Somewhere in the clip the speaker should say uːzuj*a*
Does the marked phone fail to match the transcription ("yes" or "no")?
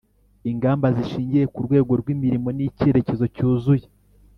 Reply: yes